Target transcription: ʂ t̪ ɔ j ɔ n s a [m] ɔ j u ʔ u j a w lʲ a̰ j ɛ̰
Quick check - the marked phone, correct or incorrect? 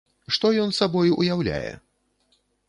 incorrect